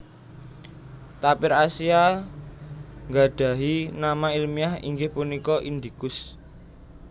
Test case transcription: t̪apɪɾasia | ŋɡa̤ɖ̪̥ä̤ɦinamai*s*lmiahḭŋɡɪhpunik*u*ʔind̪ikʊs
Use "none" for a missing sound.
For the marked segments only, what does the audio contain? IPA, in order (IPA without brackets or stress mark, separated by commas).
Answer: none, ɔ